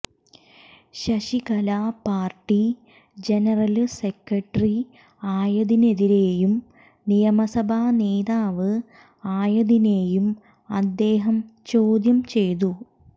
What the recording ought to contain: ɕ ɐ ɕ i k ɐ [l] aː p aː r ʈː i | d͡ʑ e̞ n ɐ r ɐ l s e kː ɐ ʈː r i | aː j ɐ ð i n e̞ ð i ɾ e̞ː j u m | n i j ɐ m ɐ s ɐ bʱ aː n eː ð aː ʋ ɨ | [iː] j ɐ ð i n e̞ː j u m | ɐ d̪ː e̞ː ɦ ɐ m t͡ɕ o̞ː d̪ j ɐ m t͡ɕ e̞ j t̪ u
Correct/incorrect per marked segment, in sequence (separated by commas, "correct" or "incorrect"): correct, incorrect